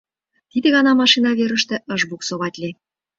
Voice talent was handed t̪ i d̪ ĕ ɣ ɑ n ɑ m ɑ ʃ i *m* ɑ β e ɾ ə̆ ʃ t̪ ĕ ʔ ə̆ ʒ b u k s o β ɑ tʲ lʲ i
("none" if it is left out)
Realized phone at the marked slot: n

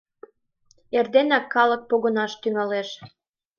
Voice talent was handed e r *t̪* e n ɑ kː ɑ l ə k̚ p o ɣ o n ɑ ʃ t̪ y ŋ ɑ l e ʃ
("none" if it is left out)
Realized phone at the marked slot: d̪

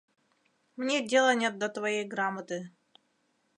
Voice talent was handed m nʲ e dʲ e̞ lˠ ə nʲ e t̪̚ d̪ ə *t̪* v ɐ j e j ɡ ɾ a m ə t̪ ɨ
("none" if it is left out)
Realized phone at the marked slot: t̪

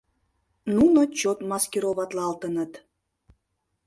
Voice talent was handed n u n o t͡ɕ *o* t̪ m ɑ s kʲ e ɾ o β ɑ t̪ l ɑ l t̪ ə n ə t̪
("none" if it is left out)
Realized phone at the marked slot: o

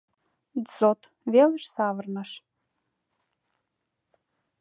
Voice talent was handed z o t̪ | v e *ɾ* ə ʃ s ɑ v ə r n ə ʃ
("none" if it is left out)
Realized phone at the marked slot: l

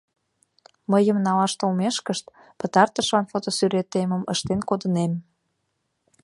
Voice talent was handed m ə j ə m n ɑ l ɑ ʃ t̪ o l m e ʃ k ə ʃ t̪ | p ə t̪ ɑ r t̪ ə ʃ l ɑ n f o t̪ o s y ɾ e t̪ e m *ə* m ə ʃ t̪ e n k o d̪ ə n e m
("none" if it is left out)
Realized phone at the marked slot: ə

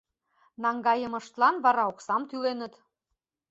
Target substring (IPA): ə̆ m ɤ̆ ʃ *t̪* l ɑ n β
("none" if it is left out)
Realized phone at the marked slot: t̪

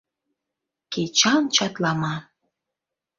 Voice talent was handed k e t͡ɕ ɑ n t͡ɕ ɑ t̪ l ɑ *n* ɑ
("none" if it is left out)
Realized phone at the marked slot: m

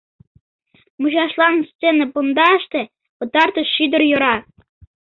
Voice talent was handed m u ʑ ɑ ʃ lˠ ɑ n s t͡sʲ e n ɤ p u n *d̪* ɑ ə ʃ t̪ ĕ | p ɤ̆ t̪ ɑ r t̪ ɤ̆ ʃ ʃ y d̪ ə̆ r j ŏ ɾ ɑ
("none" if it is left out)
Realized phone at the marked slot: d̪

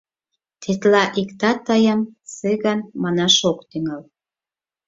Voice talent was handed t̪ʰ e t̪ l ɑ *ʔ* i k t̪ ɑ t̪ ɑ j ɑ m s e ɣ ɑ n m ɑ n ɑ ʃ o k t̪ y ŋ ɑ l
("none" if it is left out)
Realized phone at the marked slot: ʔ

